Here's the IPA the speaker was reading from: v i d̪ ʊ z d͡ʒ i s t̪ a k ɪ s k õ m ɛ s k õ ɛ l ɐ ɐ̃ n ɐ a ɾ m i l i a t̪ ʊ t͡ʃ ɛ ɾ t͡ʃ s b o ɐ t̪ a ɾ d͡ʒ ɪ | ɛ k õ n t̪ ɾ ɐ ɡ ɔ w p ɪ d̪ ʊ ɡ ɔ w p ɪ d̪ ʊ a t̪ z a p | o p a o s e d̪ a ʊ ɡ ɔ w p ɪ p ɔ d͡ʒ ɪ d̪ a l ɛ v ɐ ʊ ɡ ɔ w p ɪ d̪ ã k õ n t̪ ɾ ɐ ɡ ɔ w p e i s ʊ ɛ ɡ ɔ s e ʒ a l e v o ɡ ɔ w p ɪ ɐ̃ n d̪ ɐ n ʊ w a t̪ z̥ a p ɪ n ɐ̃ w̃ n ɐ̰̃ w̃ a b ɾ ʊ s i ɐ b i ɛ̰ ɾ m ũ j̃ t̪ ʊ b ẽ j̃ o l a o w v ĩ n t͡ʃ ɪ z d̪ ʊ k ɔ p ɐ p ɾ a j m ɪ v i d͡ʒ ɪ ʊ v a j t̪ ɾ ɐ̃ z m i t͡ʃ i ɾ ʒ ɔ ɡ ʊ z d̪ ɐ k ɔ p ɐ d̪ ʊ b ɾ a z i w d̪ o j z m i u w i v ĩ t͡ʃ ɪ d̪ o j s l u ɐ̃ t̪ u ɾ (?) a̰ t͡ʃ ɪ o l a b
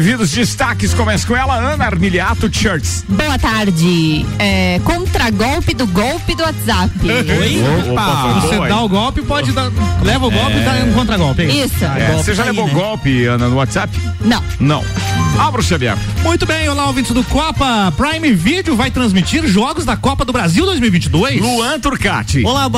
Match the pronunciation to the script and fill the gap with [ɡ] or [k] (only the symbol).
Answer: k